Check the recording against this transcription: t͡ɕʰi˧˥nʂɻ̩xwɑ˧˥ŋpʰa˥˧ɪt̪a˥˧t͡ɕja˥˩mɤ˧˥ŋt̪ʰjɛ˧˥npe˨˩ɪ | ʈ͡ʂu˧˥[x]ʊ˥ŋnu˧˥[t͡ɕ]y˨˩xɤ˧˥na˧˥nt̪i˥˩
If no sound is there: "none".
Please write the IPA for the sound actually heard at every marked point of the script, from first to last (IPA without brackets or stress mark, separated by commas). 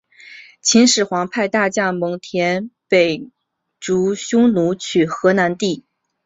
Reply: ɕ, t͡ɕʰ